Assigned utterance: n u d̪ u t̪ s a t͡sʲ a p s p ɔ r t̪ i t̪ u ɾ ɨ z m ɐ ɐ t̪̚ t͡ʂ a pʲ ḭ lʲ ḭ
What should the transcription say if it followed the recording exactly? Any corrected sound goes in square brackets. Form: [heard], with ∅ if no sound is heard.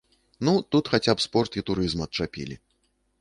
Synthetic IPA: n u [t̪] u t̪ [x] a t͡sʲ a p s p ɔ r t̪ i t̪ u ɾ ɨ z m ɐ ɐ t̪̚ t͡ʂ a pʲ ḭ lʲ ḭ